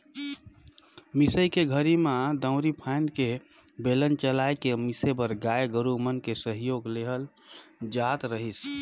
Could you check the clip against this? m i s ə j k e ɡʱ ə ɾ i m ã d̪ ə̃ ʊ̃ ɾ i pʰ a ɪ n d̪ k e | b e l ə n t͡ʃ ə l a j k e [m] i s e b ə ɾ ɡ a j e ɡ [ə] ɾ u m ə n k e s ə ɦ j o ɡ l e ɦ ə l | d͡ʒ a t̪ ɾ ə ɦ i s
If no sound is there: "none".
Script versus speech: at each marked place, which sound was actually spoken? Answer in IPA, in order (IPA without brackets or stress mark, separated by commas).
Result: m, ə